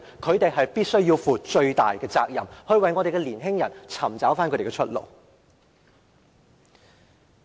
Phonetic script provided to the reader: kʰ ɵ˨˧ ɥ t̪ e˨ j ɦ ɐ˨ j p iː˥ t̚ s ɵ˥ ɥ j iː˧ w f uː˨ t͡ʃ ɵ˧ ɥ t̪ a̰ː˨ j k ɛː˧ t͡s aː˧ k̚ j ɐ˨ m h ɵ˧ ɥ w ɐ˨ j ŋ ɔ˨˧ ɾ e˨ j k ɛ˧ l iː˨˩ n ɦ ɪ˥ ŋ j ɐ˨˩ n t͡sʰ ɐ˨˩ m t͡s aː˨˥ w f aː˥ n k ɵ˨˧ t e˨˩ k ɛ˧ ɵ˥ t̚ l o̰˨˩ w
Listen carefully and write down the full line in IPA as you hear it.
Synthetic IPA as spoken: kʰ ɵ˨˧ ɥ t̪ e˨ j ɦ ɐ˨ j p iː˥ t̚ s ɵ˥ ɥ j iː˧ w f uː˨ t͡ʃ ɵ˧ ɥ t̪ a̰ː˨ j k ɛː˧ t͡s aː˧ k̚ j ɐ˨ m h ɵ˧ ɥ w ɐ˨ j ŋ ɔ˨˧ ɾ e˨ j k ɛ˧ l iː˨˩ n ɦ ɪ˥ ŋ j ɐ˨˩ n t͡sʰ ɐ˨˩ m t͡s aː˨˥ w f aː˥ n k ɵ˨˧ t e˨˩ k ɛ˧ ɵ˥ t̚ l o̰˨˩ w